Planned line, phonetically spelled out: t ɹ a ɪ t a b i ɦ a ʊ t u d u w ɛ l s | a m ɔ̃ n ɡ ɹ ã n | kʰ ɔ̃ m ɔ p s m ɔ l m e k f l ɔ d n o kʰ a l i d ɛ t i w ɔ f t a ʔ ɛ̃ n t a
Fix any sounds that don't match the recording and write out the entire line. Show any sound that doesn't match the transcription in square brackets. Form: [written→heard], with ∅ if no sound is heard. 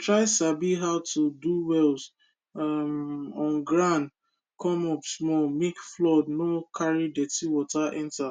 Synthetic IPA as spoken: t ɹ a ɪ [t→s] a b i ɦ a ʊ t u d u w ɛ l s | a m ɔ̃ n ɡ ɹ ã n | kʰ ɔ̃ m ɔ p s m ɔ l m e k f l ɔ d n o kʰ a [l→ɹ] i d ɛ t i w ɔ [f→∅] t a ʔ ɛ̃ n t a